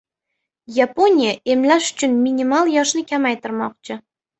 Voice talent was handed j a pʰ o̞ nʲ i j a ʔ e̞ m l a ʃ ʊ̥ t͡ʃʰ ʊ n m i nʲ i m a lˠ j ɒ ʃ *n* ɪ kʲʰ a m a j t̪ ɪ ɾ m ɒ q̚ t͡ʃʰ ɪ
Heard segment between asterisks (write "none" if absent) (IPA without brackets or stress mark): n